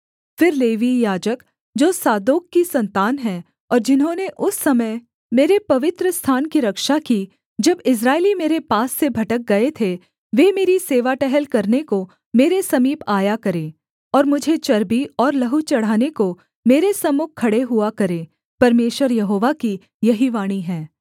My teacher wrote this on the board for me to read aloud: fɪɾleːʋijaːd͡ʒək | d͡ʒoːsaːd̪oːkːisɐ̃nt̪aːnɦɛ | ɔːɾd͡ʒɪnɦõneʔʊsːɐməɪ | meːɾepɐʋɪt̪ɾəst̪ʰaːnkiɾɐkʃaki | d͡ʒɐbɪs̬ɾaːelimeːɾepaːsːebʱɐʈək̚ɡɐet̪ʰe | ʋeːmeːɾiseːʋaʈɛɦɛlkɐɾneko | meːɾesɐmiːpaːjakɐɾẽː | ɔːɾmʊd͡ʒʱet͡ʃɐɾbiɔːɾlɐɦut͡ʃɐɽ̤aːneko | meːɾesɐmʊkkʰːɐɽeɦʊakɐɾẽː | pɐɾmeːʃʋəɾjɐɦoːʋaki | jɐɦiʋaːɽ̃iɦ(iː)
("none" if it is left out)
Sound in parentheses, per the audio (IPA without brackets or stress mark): ɛː